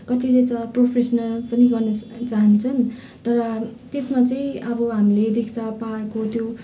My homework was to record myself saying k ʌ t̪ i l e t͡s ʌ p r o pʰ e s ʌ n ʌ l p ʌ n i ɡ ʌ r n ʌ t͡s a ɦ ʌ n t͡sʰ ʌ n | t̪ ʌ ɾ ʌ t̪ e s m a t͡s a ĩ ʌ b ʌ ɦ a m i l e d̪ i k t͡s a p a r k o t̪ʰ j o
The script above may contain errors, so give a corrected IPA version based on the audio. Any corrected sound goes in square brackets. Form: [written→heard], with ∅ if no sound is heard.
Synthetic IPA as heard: k ʌ t̪ i l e t͡s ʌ p r o pʰ e s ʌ n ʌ l p ʌ n i ɡ ʌ r n ʌ t͡s a ɦ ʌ n t͡sʰ ʌ n | t̪ ʌ ɾ ʌ t̪ e s m a t͡s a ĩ ʌ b ʌ ɦ a m i l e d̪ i k t͡s a p a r k o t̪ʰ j o

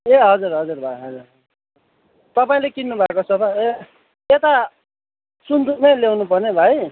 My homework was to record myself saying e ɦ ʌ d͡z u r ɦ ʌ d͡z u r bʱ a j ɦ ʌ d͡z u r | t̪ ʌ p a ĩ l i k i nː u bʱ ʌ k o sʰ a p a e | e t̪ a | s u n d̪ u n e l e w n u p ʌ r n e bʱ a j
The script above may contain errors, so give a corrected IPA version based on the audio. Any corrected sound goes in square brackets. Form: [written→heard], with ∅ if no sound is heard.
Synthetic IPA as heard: e ɦ ʌ d͡z u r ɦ ʌ d͡z u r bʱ a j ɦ ʌ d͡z u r | t̪ ʌ p a ĩ l [i→e] k i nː u bʱ [ʌ→a] k o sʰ [a→ʌ] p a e | e t̪ a | s u n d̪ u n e l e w n u p ʌ r n e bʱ a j

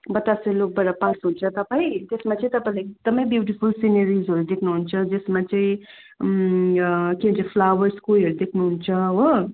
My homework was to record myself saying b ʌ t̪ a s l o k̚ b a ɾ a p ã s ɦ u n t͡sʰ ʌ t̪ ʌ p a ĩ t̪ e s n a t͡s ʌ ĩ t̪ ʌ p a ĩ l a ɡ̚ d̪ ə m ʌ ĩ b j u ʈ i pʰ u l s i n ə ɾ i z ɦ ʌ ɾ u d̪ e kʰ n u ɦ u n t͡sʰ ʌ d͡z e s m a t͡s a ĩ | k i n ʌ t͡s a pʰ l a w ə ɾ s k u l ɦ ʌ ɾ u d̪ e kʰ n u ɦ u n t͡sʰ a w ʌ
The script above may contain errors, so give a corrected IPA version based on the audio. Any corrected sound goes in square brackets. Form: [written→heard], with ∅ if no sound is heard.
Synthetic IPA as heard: b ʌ t̪ a s l o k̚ b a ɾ a p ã s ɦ u n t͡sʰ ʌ t̪ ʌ p a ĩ t̪ e s [n→m] a t͡s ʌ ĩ t̪ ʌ p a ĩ l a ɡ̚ d̪ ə m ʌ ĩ b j u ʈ i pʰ u l s i n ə ɾ i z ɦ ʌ ɾ u d̪ e kʰ n u ɦ u n t͡sʰ ʌ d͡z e s m a t͡s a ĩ | k i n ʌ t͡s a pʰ l a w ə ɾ s k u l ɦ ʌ ɾ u d̪ e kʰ n u ɦ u n t͡sʰ [a→ʌ] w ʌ

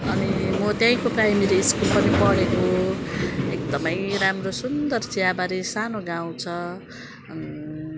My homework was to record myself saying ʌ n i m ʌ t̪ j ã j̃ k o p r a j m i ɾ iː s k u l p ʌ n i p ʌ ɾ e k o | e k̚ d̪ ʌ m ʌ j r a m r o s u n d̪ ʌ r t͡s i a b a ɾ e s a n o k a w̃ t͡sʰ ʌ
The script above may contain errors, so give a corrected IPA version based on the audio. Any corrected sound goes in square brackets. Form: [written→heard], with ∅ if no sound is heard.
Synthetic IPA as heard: ʌ n i m ʌ t̪ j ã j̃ k o p r a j m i ɾ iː s k u l p ʌ n i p ʌ [ɾ→ɽ] e k o | e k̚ d̪ ʌ m ʌ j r a m r o s u n d̪ ʌ r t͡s i a b a ɾ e s a n o [k→ɡ] a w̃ t͡sʰ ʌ

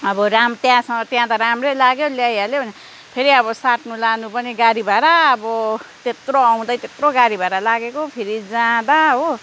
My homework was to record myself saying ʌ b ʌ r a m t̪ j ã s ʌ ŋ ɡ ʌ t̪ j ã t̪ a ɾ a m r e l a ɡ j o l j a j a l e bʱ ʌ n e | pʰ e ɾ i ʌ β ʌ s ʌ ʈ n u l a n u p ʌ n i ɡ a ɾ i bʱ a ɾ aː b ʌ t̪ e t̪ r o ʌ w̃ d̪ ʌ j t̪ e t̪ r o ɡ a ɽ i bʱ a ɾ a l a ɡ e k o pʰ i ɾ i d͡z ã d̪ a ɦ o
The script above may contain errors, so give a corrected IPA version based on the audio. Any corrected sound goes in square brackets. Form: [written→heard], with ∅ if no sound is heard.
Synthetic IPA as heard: ʌ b ʌ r a m t̪ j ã s ʌ ŋ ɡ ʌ t̪ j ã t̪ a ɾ a m r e l a ɡ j o l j a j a l e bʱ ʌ n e | pʰ e ɾ i ʌ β ʌ s [ʌ→a] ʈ n u l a n u p ʌ n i ɡ a ɾ i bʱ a ɾ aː b ʌ t̪ e t̪ r o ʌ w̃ d̪ ʌ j t̪ e t̪ r o ɡ a [ɽ→ɾ] i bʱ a ɾ a l a ɡ e k o pʰ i ɾ i d͡z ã d̪ a ɦ o

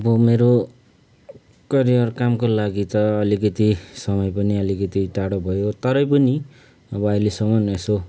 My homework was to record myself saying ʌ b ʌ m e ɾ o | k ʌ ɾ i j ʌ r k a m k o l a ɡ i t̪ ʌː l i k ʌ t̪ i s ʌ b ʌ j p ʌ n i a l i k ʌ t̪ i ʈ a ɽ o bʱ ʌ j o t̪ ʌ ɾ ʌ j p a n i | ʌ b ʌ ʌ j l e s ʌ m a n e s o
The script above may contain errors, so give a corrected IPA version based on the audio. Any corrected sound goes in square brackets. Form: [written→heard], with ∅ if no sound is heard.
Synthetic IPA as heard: ʌ b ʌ m e ɾ o | k ʌ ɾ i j ʌ r k a m k o l a ɡ i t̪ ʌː l i k ʌ t̪ i s ʌ [b→m] ʌ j p ʌ n i [a→ʌ] l i k ʌ t̪ i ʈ a ɽ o bʱ ʌ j o t̪ ʌ ɾ ʌ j p [a→ʌ] n i | ʌ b ʌ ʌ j l e s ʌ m [a→ʌ] n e s o

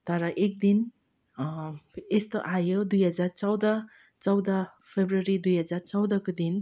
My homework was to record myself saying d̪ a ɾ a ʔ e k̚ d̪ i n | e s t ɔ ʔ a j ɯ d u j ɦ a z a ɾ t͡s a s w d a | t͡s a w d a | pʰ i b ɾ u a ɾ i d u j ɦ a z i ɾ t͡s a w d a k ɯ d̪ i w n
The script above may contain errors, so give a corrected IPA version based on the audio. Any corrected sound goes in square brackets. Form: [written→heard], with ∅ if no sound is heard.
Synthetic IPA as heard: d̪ a ɾ a ʔ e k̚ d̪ i n | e s t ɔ ʔ a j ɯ d u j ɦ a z a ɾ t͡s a [s→∅] w d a | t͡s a w d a | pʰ [i→e] b ɾ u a ɾ i d u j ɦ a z [i→a] ɾ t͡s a w d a k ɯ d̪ i [w→∅] n

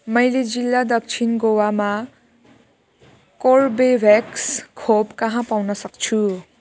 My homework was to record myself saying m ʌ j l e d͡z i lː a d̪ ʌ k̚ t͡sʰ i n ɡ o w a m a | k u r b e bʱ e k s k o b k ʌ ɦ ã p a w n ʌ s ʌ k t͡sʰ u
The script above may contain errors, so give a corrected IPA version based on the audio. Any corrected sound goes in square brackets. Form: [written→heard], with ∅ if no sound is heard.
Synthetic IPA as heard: m ʌ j l e d͡z i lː a d̪ ʌ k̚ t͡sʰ i n ɡ o w a m a | k [u→o] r b e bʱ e k s [k→kʰ] o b k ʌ ɦ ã p a w n ʌ s ʌ k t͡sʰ u

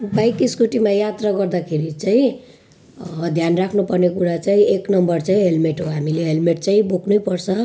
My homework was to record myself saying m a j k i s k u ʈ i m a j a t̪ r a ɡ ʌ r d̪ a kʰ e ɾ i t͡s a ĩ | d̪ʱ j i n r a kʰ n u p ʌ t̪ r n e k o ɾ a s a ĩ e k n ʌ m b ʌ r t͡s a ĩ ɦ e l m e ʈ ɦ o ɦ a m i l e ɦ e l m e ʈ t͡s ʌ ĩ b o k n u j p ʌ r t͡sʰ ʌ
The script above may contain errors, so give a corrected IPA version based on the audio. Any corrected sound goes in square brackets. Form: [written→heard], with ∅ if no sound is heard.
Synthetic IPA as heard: [m→b] a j k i s k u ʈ i m a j a t̪ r a ɡ ʌ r d̪ a kʰ e ɾ i t͡s a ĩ | d̪ʱ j [i→a] n r a kʰ n u p ʌ [t̪→∅] r n e k [o→u] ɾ a [s→t͡s] a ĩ e k n ʌ m b ʌ r t͡s a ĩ ɦ e l m e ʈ ɦ o ɦ a m i l e ɦ e l m e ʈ t͡s [ʌ→a] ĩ b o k n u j p ʌ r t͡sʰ ʌ

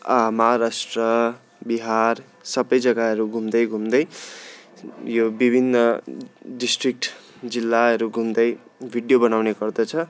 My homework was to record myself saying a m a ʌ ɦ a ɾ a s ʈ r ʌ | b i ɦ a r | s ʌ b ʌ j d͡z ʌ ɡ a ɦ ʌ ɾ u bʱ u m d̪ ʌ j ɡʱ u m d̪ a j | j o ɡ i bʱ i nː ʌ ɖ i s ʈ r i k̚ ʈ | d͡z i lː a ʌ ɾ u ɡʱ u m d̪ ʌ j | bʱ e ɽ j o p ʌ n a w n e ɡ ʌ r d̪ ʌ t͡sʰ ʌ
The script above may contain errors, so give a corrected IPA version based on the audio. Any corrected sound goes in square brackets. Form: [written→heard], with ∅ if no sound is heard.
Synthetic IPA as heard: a m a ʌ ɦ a ɾ a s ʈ r ʌ | b i ɦ a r | s ʌ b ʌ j d͡z ʌ ɡ a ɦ ʌ ɾ u [bʱ→ɡʱ] u m d̪ ʌ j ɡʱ u m d̪ [a→ʌ] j | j o [ɡ→b] i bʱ i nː ʌ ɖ i s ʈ r i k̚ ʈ | d͡z i lː a ʌ ɾ u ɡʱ u m d̪ ʌ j | bʱ [e→i] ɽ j o [p→b] ʌ n a w n e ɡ ʌ r d̪ ʌ t͡sʰ ʌ

